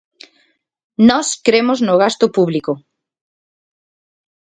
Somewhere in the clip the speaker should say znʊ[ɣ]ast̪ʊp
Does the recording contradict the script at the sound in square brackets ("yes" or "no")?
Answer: no